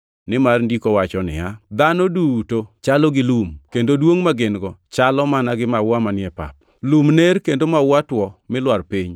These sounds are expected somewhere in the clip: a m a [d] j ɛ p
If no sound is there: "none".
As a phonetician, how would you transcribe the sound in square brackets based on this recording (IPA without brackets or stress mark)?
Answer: n